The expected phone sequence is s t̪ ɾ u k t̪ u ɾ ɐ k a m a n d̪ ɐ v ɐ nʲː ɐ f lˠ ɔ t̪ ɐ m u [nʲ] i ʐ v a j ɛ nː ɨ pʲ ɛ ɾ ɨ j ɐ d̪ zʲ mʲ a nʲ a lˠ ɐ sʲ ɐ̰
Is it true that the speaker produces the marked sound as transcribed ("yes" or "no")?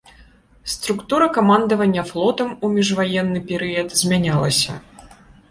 no